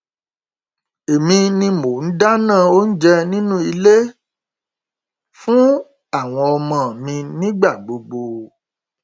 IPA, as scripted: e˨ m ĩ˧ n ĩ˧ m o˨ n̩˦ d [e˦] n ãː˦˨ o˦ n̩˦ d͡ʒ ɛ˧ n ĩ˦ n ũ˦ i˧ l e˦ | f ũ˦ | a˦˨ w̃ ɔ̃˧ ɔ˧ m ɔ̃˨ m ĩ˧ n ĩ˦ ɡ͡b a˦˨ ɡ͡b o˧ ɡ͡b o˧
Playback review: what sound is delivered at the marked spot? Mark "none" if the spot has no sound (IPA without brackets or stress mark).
a˦